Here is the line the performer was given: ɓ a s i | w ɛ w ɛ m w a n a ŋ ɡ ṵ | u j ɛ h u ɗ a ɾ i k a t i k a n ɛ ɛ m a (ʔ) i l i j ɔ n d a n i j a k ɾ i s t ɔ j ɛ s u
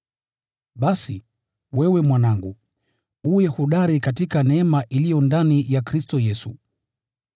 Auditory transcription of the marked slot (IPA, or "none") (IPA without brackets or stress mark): ʔ